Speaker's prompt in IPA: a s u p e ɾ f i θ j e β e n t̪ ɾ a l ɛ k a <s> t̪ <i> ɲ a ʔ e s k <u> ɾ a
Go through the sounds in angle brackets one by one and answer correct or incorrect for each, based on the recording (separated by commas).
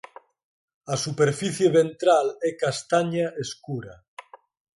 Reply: correct, incorrect, correct